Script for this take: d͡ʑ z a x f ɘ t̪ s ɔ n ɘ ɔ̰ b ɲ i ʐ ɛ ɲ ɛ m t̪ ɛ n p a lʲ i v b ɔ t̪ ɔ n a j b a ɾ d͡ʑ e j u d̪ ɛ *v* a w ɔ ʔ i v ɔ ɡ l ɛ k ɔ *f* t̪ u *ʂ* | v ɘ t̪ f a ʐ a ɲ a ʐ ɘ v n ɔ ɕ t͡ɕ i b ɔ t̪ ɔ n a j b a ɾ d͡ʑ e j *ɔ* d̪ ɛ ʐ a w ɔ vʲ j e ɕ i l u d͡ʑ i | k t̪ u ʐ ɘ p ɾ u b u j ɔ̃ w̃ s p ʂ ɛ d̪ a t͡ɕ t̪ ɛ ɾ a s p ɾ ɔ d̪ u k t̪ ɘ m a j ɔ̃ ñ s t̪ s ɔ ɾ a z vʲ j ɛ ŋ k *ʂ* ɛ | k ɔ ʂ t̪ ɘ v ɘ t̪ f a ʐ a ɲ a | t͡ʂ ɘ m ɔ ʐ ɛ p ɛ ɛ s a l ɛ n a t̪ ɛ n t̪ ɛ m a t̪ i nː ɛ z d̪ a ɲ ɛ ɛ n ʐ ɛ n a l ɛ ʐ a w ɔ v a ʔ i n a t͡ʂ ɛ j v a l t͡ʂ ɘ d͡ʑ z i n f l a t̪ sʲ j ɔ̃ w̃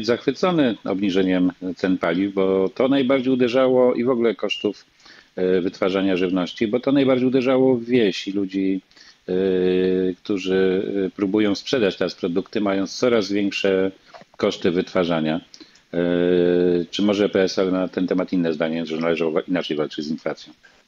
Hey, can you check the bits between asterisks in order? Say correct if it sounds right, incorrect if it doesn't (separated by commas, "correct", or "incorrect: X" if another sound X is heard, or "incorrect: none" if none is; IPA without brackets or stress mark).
incorrect: ʐ, incorrect: ʂ, incorrect: f, incorrect: u, correct